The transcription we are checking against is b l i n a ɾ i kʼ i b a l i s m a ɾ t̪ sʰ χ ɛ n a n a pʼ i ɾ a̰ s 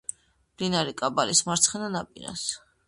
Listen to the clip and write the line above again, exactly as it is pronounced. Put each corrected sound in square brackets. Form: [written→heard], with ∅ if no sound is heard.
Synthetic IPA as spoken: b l i n a ɾ i kʼ [i→a] b a l i s m a ɾ t̪ sʰ χ ɛ n a n a pʼ i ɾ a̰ s